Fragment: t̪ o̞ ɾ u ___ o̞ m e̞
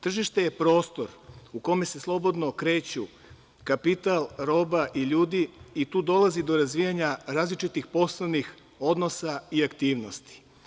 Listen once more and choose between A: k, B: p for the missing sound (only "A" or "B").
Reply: A